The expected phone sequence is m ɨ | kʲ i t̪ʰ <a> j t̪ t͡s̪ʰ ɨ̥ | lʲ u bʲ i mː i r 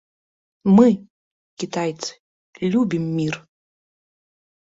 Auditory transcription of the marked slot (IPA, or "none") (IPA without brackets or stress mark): a